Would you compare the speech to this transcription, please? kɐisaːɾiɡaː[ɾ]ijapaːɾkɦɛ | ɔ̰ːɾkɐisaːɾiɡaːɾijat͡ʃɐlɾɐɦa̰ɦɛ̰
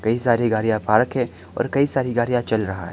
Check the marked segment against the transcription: correct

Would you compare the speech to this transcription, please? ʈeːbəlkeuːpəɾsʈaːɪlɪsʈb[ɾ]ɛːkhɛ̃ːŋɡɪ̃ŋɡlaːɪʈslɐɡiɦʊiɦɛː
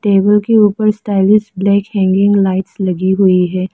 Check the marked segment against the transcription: incorrect: l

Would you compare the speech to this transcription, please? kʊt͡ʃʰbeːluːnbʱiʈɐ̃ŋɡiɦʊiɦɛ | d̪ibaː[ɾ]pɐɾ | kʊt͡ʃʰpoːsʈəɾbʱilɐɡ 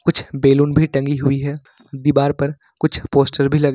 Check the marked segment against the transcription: correct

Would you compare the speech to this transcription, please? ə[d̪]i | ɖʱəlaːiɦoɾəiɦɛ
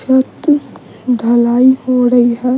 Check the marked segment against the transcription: incorrect: t̪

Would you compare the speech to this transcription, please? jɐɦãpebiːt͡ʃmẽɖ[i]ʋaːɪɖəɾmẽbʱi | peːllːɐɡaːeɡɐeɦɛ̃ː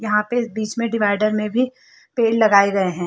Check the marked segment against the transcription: incorrect: ɪ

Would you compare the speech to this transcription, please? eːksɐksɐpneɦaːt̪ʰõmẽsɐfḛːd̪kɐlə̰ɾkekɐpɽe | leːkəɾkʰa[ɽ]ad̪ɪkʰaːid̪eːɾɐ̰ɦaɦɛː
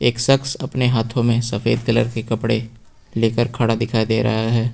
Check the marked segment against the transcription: correct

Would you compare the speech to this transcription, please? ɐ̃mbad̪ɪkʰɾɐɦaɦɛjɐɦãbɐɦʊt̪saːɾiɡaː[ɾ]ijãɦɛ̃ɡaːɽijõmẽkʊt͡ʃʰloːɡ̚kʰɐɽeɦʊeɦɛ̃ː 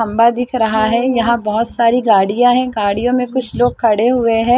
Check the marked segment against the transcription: incorrect: ɽ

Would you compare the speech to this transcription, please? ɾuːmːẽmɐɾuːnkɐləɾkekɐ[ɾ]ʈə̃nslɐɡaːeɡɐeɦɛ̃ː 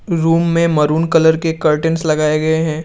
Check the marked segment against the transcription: correct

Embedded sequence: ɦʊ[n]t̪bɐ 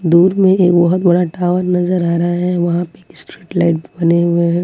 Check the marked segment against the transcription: incorrect: none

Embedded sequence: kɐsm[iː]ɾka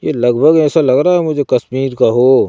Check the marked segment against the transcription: correct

